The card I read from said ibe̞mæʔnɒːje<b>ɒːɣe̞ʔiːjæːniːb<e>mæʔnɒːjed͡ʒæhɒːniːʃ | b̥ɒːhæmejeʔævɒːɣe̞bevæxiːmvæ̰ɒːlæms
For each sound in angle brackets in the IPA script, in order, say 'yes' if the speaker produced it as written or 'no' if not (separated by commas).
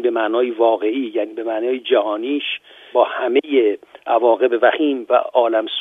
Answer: no, yes